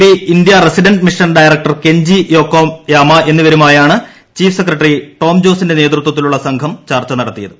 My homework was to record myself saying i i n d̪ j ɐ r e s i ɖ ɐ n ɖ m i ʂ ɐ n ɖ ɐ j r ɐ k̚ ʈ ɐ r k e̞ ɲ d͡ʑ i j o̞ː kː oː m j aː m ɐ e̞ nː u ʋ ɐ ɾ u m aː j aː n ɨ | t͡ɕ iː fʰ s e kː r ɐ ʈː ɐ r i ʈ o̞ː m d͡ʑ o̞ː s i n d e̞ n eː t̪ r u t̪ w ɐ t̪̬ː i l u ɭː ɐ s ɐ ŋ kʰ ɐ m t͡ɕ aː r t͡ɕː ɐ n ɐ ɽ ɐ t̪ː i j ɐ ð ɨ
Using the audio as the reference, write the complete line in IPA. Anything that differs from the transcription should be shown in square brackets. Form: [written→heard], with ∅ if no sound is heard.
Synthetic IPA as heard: i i n d̪ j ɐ r e s i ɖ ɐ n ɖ m i ʂ ɐ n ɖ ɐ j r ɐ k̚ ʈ ɐ r k e̞ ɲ d͡ʑ i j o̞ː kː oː m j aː m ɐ e̞ nː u ʋ ɐ ɾ u m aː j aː [n→ɳ] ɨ | t͡ɕ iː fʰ s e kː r ɐ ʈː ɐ r i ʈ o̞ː m d͡ʑ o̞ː s i n d e̞ n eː t̪ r u t̪ w ɐ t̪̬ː i l u ɭː ɐ s ɐ ŋ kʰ ɐ m t͡ɕ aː r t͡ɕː ɐ n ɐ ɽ ɐ t̪ː i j ɐ ð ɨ